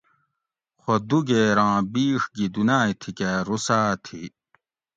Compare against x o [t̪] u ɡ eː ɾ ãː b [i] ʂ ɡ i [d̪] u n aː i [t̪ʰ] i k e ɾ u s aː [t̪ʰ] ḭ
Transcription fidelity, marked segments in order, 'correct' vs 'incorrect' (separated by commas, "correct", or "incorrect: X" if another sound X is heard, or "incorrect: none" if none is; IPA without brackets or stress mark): incorrect: d̪, incorrect: iː, correct, correct, correct